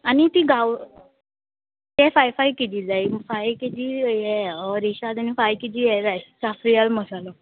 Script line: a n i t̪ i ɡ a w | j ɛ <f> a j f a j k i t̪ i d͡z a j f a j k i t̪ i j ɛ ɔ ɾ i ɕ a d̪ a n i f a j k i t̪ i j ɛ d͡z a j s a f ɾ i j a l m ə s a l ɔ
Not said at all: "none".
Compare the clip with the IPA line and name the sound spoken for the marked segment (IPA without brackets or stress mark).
f